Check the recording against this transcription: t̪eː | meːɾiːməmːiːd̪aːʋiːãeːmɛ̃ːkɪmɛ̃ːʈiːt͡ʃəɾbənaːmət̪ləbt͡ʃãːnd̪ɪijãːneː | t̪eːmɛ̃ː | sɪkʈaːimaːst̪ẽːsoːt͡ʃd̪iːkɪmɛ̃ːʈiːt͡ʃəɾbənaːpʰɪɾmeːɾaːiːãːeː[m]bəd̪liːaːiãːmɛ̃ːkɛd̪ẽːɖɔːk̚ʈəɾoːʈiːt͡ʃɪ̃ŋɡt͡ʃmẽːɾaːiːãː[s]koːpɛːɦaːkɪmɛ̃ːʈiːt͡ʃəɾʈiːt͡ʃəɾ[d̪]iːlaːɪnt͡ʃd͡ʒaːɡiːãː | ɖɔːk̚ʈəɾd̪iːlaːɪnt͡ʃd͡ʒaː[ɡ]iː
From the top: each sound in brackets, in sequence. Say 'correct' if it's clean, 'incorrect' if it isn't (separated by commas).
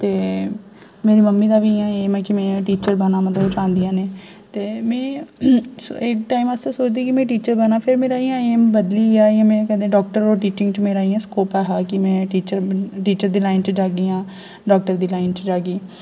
correct, correct, correct, correct